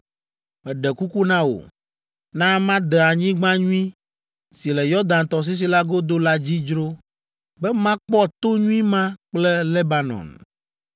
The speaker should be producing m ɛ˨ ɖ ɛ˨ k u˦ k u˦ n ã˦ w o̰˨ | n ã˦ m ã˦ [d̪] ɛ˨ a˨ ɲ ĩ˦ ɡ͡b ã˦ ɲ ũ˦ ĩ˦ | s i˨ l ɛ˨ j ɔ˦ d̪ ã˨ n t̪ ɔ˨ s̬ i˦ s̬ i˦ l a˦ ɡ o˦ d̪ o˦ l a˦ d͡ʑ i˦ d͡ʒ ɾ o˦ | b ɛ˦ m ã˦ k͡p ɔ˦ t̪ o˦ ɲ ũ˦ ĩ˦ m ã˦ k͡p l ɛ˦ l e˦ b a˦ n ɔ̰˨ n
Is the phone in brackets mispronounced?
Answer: no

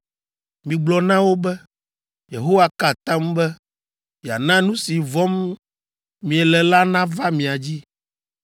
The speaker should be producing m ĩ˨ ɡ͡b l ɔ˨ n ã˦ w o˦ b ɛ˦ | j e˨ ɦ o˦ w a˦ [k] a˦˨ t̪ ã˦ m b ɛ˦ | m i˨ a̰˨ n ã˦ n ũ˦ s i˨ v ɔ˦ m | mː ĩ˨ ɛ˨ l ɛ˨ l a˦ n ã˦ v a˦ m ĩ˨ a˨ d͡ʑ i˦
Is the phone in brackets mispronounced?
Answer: no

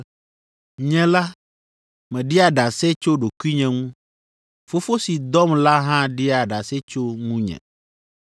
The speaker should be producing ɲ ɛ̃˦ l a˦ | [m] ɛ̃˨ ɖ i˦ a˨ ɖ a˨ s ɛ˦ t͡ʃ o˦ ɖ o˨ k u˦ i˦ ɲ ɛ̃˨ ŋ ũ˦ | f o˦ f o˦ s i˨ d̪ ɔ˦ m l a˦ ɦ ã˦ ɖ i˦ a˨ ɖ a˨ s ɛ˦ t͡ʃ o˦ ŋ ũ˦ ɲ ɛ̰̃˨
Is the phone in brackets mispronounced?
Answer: no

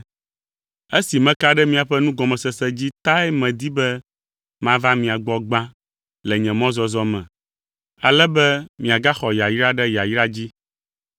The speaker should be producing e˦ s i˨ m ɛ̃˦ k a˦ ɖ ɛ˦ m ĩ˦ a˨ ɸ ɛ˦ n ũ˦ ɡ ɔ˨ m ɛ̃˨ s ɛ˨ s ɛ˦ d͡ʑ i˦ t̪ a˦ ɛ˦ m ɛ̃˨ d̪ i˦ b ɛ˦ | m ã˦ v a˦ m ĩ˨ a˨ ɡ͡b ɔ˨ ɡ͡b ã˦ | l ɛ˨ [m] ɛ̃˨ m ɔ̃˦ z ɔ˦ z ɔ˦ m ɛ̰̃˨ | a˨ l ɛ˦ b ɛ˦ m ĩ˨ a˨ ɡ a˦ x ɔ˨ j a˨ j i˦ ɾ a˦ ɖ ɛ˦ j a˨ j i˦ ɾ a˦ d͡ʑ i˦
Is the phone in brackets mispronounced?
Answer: yes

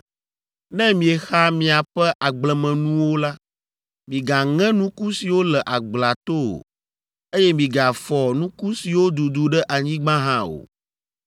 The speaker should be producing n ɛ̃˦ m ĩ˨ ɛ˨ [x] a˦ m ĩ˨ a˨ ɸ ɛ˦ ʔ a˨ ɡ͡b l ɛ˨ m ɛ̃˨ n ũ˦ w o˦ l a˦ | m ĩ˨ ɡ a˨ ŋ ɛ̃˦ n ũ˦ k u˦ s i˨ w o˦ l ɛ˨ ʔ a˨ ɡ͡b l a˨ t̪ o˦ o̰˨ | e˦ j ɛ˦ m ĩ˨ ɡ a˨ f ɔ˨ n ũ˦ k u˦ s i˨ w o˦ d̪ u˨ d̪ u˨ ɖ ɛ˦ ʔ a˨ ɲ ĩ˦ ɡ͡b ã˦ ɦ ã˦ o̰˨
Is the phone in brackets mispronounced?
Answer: no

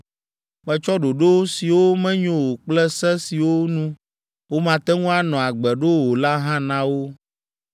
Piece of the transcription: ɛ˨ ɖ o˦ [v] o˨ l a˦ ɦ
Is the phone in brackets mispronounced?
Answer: yes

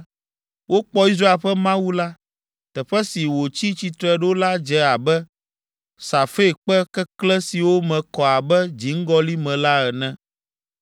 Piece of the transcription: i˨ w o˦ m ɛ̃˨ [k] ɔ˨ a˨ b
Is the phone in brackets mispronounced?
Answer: no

